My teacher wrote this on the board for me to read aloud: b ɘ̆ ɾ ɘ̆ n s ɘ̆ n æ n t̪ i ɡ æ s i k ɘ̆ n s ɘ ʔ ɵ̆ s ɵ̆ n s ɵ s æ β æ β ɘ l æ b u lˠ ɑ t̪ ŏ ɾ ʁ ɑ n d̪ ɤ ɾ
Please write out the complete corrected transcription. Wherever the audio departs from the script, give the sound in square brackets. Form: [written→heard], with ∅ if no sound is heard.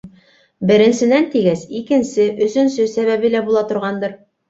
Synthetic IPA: b ɘ̆ ɾ ɘ̆ n s ɘ̆ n æ n t̪ i ɡ æ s i k ɘ̆ n s ɘ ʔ ɵ̆ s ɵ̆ n s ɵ s æ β æ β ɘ l æ b u lˠ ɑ t̪ ŏ ɾ ʁ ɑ n d̪ ɤ ɾ